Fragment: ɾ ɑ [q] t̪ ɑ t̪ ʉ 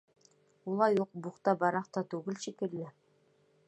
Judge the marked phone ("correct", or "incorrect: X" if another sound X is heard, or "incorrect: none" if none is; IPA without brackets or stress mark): correct